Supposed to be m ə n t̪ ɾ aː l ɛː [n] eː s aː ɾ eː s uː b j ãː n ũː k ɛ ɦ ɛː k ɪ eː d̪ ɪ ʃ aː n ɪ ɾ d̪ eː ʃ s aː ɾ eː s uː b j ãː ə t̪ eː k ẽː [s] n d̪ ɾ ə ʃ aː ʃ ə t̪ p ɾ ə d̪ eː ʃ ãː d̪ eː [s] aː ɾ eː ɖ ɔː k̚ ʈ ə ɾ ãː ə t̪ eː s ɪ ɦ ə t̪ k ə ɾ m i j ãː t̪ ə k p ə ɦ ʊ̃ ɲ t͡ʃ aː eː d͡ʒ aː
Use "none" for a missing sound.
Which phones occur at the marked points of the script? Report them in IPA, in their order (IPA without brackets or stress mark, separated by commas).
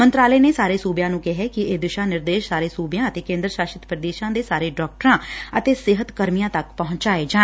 n, none, s